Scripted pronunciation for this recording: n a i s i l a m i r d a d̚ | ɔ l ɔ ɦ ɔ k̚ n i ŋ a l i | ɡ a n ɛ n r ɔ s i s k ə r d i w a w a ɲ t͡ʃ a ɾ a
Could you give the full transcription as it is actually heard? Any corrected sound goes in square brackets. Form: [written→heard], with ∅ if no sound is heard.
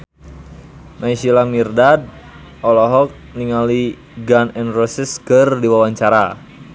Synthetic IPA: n a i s i l a m i r d a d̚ | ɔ l ɔ ɦ ɔ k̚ n i ŋ a l i | ɡ a n ɛ n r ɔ s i s k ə r d i w a w a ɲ t͡ʃ a ɾ a

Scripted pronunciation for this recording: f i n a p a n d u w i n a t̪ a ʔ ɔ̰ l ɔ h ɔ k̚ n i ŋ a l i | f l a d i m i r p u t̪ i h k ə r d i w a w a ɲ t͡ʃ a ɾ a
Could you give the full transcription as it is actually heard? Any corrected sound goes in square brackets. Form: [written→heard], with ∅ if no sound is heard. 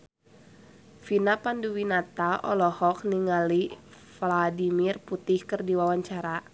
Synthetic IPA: f i n a p a n d u w i n a t̪ a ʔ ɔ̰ l ɔ h ɔ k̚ n i ŋ a l i | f l a d i m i r p u t̪ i h k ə r d i w a w a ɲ t͡ʃ a ɾ a

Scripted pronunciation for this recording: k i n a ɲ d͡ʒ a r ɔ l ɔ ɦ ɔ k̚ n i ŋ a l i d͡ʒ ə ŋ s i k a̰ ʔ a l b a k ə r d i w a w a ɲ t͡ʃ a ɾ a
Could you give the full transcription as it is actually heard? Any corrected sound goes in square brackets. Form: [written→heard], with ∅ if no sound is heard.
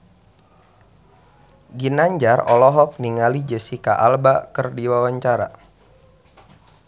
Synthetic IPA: [k→ɡ] i n a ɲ d͡ʒ a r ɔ l ɔ ɦ ɔ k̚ n i ŋ a l i d͡ʒ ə [ŋ→∅] s i k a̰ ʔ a l b a k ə r d i w a w a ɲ t͡ʃ a ɾ a

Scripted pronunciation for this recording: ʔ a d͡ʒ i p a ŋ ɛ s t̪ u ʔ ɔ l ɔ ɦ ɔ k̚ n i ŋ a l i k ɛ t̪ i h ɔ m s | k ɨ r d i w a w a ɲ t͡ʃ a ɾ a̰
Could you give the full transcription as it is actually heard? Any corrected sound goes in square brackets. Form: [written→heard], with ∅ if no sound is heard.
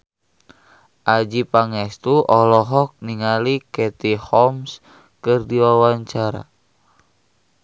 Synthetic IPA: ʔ a d͡ʒ i p a ŋ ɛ s t̪ u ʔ ɔ l ɔ ɦ ɔ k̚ n i ŋ a l i k ɛ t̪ i h ɔ m s | k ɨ r d i w a w a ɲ t͡ʃ a ɾ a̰

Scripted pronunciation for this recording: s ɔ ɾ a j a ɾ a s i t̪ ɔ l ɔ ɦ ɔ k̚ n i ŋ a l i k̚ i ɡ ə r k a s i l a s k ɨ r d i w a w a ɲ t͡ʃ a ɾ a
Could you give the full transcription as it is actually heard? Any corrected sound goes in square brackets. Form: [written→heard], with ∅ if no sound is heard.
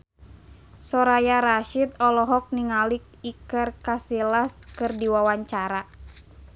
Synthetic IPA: s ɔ ɾ a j a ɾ a [s→ʃ] i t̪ ɔ l ɔ ɦ ɔ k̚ n i ŋ a l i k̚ i [ɡ→k] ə r k a s i l a s k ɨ r d i w a w a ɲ t͡ʃ a ɾ a

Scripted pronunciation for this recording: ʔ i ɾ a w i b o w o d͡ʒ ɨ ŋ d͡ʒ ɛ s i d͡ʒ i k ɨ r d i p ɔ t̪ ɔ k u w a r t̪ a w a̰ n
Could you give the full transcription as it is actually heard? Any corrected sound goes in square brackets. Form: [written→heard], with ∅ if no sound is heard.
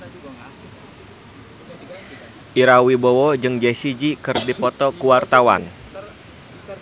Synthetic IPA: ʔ i ɾ a w i b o w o d͡ʒ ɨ ŋ d͡ʒ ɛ s i d͡ʒ i k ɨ r d i p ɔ t̪ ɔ k u w a r t̪ a w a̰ n

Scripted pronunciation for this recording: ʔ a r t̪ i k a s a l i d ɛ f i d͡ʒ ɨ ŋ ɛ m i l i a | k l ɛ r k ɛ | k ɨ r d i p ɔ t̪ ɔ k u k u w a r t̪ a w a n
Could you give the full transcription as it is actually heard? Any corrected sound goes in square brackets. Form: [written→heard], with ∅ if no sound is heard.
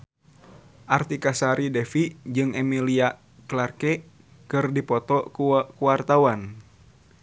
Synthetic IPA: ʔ a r t̪ i k a s a [l→ɾ] i d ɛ f i d͡ʒ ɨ ŋ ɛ m i l i a | k l [ɛ→a] r k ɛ | k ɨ r d i p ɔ t̪ ɔ k u k u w a r t̪ a w a n

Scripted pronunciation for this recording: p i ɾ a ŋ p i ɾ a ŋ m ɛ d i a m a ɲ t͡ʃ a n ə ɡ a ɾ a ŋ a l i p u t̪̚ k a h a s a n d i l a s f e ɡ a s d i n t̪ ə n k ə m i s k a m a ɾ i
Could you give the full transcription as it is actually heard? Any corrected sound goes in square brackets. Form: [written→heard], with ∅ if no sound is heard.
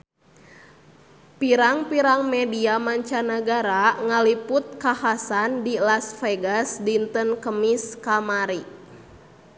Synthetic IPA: p i ɾ a ŋ p i ɾ a ŋ m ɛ d i a m a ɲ t͡ʃ a n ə ɡ a ɾ a ŋ a l i p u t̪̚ k a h a s a n d i l a s f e ɡ a s d i n t̪ ə n k ə m i s k a m a ɾ i

